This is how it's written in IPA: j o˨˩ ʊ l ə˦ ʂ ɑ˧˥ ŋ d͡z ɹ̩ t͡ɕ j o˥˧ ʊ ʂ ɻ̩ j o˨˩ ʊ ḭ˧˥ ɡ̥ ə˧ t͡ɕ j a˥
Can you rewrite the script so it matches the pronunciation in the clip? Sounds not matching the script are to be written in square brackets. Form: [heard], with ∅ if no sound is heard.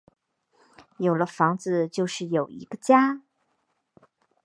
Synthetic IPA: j o˨˩ ʊ l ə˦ [f] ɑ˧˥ ŋ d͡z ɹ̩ t͡ɕ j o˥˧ ʊ ʂ ɻ̩ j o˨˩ ʊ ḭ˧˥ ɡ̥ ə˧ t͡ɕ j a˥